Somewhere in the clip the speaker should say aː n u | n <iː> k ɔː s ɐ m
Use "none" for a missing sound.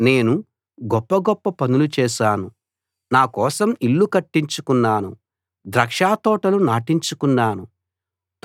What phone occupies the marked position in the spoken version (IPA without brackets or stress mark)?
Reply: aː